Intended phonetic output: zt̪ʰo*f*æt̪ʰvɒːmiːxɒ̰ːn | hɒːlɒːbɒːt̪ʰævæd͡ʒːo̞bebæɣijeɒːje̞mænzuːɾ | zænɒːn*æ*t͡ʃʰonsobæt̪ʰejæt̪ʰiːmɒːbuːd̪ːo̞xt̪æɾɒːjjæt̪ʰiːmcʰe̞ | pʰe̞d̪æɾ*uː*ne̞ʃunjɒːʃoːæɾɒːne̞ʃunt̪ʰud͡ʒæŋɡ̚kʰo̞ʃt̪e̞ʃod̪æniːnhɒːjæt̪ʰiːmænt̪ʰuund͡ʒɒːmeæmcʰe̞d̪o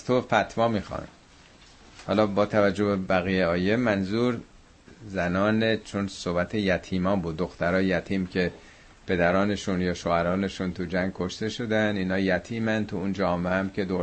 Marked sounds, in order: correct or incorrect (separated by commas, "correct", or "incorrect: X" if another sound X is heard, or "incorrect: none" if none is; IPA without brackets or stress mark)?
correct, incorrect: e, incorrect: ɒː